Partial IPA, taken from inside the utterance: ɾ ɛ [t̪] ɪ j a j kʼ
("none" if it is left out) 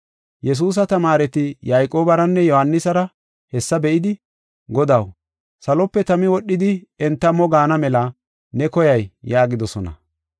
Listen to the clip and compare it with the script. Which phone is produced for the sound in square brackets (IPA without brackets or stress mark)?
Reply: t̪